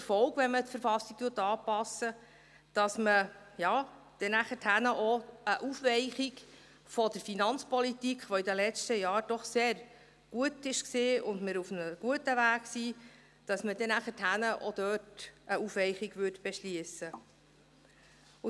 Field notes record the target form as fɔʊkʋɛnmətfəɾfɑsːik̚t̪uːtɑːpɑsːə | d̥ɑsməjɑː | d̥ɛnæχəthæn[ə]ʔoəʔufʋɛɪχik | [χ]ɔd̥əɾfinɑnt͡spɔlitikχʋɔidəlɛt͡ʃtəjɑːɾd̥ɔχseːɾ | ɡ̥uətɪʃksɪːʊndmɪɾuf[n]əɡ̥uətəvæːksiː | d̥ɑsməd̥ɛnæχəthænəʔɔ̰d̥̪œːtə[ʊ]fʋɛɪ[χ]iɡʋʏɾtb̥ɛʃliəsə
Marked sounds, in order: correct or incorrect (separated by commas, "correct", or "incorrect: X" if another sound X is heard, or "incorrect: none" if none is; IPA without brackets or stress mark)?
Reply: correct, incorrect: f, correct, incorrect: u, correct